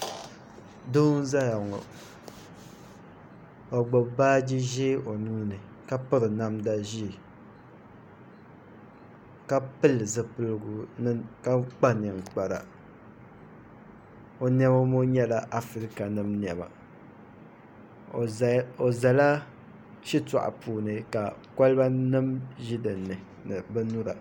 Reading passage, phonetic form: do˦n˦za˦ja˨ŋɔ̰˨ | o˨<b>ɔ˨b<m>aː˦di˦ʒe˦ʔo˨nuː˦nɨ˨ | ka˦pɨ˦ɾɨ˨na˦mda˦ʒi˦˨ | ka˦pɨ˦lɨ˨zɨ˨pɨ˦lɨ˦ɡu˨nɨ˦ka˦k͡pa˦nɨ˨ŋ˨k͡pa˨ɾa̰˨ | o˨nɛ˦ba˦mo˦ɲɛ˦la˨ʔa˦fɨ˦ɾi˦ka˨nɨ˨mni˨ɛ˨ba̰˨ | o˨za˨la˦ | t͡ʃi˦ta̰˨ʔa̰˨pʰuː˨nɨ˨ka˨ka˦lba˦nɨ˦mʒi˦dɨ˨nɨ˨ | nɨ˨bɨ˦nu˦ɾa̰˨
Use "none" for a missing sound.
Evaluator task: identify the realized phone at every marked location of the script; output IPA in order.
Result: ɡ͡b, b

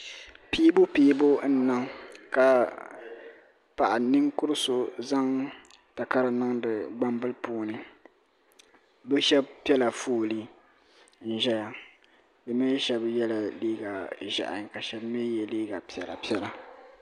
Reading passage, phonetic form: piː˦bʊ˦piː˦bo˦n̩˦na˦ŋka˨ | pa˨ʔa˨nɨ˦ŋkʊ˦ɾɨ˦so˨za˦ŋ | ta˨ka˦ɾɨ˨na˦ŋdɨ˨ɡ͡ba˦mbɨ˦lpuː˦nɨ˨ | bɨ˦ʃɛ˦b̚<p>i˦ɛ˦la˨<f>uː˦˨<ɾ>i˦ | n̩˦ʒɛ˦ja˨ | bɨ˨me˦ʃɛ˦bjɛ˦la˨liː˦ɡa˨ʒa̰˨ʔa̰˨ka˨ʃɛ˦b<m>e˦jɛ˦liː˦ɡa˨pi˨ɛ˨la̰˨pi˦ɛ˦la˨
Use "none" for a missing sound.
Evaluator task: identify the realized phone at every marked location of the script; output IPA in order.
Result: p, f, l, m

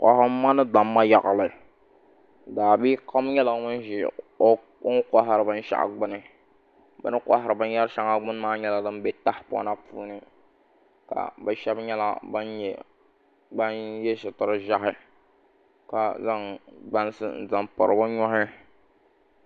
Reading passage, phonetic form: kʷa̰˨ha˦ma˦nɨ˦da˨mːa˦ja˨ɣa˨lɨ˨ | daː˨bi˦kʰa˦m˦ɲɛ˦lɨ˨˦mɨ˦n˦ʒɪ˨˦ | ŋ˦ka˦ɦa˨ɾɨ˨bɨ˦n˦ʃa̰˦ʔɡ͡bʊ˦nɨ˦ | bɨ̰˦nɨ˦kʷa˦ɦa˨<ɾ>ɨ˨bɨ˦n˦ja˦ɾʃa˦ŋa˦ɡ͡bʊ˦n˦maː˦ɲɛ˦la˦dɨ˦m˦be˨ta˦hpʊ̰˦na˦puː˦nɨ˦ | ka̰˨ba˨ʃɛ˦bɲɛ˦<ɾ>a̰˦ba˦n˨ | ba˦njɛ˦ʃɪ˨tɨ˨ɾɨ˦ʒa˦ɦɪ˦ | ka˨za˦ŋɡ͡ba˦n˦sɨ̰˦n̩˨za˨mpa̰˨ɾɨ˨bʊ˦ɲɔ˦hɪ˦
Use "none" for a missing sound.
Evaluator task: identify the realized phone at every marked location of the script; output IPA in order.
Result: ɾ, l

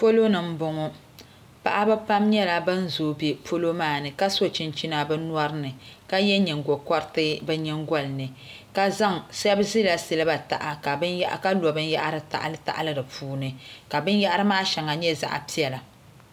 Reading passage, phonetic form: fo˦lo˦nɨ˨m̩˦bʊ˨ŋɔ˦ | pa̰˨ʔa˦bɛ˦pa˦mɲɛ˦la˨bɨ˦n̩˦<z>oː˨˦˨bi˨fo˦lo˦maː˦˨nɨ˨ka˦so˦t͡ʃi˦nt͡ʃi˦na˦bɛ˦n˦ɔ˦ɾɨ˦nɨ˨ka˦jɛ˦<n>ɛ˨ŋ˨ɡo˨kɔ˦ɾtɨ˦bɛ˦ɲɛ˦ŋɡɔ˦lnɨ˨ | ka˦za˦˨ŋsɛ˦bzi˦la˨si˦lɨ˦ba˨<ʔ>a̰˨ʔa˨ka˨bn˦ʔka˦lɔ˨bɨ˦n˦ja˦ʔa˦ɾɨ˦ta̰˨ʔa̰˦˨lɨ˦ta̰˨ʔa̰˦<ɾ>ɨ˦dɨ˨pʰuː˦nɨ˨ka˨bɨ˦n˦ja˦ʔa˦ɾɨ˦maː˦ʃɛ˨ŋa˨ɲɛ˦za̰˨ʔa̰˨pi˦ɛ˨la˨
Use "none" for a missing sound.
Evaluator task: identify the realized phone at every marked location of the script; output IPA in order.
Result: z, ɲ, t, l

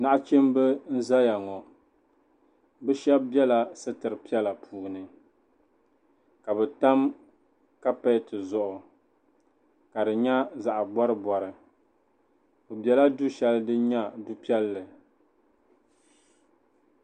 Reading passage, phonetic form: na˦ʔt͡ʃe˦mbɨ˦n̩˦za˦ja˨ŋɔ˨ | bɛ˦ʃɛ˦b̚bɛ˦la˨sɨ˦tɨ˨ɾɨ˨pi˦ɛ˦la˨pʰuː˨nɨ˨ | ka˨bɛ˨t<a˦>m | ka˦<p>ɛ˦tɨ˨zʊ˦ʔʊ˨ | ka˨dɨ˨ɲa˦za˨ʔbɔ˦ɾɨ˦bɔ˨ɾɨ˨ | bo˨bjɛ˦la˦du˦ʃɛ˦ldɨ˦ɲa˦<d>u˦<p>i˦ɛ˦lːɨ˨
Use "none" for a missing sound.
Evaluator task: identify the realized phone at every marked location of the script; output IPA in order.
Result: a˦, p, d, p

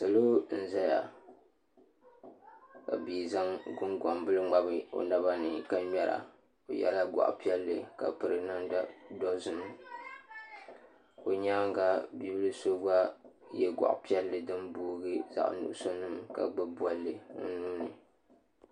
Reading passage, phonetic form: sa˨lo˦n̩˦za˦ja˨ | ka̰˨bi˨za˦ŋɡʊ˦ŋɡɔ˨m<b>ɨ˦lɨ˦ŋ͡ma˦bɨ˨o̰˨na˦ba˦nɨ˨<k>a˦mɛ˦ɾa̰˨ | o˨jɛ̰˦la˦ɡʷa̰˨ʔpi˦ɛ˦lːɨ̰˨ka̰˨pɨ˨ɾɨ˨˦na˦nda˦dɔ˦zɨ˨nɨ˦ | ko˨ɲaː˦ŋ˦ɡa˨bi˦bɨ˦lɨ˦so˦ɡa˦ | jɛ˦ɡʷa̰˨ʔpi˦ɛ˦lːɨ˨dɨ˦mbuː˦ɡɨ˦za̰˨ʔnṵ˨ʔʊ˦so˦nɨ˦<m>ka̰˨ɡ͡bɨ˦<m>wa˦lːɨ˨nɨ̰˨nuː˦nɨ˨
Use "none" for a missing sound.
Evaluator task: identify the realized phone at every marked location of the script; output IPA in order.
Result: b, k, m, b

